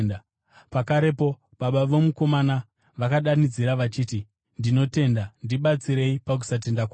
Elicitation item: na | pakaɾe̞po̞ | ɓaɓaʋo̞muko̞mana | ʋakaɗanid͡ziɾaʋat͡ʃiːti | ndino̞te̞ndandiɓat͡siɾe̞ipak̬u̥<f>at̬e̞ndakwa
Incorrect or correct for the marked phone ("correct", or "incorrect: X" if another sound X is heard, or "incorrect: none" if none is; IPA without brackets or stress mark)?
incorrect: s